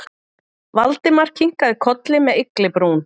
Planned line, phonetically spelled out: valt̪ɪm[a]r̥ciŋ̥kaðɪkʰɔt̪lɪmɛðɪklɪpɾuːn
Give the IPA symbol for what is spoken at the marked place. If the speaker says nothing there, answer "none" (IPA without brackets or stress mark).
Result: a